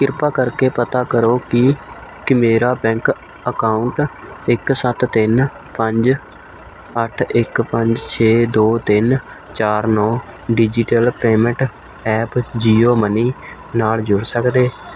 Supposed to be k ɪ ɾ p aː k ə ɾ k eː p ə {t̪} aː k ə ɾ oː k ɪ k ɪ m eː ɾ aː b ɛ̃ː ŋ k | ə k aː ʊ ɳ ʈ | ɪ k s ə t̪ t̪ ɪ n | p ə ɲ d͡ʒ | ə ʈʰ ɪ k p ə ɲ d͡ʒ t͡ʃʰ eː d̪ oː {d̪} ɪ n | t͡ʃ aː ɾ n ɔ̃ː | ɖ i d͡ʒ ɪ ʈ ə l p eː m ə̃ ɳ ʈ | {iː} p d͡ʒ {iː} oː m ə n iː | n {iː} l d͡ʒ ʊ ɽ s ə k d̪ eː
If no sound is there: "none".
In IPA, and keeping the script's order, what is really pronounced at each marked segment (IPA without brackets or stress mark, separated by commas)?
t̪, t̪, ɛː, iː, aː